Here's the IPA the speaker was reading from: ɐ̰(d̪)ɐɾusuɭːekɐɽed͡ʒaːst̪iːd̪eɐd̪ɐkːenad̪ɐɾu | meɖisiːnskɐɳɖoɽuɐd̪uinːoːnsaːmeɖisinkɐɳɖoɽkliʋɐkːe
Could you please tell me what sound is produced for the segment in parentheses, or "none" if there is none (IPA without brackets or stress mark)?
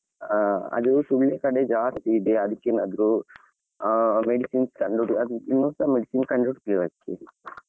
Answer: d̪